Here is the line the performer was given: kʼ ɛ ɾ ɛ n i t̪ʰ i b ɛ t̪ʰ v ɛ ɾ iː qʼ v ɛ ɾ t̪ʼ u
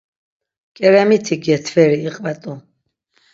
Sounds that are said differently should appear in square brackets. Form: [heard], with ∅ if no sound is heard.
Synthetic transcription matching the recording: kʼ ɛ ɾ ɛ [m] i t̪ʰ i [ɡ] ɛ t̪ʰ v ɛ ɾ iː qʼ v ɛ [∅] t̪ʼ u